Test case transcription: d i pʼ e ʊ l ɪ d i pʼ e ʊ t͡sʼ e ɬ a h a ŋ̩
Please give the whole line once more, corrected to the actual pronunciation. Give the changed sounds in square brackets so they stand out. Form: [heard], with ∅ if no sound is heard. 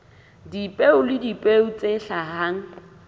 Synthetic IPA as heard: d i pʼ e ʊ l ɪ d i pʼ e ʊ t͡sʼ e ɬ a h a ŋ̩

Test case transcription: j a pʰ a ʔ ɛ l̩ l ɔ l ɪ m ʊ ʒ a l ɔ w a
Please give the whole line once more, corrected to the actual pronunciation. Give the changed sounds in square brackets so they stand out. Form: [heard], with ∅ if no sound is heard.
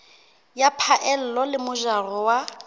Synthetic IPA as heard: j a pʰ a ʔ ɛ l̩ l ɔ l ɪ m ʊ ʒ a [r] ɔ w a

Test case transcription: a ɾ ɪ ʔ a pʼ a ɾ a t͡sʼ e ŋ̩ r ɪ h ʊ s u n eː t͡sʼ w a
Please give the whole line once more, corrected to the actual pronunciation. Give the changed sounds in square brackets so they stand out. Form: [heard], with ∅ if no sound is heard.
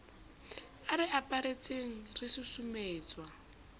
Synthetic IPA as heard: a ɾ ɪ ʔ a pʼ a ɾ [e] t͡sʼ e ŋ̩ r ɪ [s] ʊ s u [m] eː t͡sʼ w a

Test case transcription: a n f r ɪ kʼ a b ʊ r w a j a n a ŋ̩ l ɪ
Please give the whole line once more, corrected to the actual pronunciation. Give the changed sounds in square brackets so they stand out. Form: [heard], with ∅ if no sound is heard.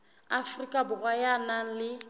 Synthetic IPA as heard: a [∅] f r [i] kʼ a b ʊ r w a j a n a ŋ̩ l ɪ

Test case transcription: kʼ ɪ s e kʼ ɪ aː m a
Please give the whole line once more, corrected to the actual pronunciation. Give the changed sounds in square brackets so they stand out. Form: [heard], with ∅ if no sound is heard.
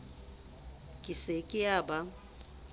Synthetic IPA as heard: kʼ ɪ s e kʼ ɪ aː [b] a

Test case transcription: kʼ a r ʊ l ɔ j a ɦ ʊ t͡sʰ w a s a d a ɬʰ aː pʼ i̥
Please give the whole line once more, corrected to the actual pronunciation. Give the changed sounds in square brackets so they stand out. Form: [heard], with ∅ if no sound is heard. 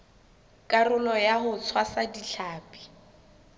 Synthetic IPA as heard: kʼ a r ʊ l ɔ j a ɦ ʊ t͡sʰ w a s a d [i] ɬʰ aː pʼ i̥

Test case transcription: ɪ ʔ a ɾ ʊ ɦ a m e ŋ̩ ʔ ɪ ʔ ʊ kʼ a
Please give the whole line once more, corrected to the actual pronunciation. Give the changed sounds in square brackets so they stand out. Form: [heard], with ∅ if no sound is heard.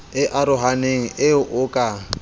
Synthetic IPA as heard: ɪ ʔ a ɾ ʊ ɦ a [n] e ŋ̩ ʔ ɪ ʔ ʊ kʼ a

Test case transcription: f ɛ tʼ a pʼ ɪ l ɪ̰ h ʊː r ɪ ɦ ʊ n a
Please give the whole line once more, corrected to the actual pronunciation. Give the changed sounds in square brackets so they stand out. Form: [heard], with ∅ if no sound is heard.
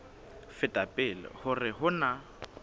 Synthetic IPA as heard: f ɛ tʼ a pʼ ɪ l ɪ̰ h [ʊ] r ɪ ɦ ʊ n a

